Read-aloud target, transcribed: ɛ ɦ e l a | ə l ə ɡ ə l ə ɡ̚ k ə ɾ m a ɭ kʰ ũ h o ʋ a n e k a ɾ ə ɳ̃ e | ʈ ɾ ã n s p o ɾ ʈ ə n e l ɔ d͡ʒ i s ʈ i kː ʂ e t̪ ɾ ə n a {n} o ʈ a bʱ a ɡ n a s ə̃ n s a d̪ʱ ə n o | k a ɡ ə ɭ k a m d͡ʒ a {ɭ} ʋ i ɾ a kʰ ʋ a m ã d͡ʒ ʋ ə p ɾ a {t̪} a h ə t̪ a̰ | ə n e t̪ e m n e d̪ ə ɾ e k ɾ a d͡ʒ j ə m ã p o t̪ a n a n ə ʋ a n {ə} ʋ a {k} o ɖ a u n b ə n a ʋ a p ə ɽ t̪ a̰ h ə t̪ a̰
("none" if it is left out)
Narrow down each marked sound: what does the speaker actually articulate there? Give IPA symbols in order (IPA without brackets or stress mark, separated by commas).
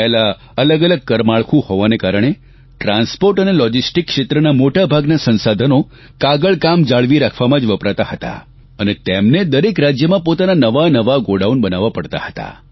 m, ɭ, t̪, ə, ɡ